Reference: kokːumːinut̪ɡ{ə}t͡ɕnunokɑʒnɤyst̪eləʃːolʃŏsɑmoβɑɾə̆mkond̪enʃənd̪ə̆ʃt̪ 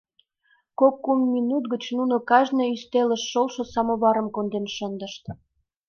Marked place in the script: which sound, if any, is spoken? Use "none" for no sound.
ə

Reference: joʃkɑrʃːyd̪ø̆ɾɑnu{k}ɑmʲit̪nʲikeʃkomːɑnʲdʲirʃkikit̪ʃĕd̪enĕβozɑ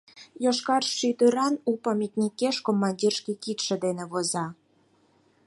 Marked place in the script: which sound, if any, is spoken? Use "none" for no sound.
p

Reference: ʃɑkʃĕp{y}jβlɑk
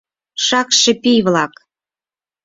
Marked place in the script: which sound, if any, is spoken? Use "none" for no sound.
i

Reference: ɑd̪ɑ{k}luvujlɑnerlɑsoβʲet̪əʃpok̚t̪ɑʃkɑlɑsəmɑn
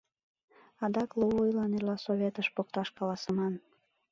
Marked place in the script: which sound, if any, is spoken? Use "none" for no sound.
k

